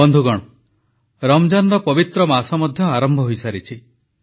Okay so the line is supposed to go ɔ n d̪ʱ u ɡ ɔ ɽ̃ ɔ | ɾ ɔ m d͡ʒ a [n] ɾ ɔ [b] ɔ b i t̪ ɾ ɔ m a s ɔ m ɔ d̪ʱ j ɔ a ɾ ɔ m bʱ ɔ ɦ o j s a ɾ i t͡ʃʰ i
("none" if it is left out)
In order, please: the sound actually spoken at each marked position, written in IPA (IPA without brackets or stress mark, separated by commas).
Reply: n, p